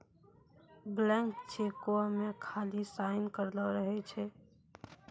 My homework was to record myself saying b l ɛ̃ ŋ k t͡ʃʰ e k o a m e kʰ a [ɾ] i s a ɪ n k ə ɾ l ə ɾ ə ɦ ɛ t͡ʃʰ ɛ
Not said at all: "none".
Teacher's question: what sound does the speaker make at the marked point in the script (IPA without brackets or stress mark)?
l